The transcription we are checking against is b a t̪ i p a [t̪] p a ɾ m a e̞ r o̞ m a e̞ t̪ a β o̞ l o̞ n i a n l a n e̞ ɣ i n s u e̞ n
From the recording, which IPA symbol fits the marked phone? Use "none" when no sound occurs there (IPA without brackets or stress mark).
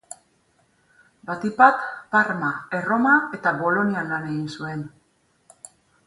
t̪